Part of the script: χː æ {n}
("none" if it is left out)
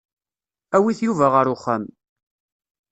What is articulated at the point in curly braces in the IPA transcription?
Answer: m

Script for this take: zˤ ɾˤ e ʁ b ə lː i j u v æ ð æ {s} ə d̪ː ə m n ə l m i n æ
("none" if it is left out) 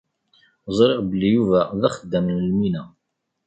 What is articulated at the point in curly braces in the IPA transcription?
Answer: χ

